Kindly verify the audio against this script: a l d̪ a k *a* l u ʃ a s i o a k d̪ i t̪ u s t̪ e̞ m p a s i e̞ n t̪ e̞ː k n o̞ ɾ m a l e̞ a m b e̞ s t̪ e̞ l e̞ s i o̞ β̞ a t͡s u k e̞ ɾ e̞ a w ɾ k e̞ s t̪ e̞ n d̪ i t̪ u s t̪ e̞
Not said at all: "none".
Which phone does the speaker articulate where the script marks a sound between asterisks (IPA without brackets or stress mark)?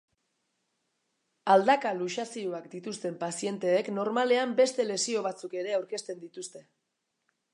a